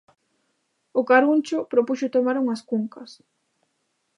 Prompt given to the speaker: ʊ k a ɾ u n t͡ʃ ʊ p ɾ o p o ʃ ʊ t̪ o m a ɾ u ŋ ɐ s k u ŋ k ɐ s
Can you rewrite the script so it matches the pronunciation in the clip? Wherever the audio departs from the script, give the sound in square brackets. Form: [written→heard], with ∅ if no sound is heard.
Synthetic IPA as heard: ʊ k a ɾ u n t͡ʃ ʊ p ɾ o p [o→u] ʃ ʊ t̪ o m a ɾ u ŋ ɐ s k u ŋ k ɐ s